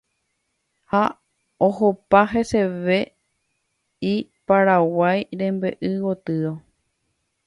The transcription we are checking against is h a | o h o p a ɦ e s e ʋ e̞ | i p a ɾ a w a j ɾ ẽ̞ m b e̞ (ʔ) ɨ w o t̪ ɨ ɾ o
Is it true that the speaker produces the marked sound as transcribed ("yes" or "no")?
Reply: yes